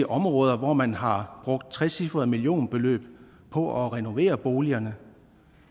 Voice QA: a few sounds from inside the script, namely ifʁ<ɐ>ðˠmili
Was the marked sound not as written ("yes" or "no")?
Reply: no